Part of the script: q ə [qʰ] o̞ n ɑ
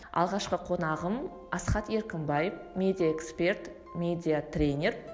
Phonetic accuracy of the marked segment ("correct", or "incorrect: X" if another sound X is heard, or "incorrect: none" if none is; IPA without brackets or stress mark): correct